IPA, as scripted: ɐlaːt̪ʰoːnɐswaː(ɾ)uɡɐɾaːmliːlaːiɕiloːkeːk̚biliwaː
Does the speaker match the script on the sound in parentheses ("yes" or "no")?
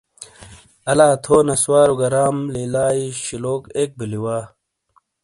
yes